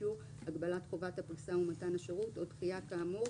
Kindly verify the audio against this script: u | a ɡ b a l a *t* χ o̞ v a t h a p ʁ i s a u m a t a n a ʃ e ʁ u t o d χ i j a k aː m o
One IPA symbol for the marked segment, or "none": t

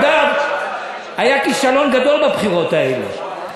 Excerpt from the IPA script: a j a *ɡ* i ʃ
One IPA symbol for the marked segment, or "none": k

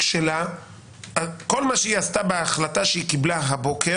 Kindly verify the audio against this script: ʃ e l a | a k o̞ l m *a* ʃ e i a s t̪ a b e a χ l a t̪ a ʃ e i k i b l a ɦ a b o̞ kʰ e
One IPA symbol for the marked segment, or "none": a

